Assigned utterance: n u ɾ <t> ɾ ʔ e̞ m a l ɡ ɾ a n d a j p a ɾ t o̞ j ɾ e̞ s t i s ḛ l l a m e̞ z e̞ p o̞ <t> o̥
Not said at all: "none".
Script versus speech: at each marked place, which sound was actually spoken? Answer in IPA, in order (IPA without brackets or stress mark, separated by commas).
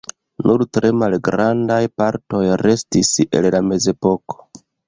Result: t, k